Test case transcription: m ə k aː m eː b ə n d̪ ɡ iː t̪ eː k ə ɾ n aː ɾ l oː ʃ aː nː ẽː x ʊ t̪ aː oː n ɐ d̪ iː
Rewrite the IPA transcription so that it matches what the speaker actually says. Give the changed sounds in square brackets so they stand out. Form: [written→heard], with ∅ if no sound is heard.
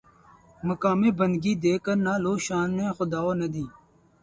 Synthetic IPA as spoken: m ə k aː m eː b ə n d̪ ɡ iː [t̪→d̪] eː k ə ɾ n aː [ɾ→∅] l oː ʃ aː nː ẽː x ʊ [t̪→d̪] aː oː n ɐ d̪ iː